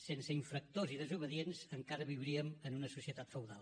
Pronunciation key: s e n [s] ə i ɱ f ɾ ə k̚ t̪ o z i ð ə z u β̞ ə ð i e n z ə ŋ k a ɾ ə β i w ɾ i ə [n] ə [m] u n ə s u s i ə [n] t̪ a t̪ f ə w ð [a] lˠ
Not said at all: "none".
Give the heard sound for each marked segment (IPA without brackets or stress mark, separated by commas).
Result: s, m, n, none, a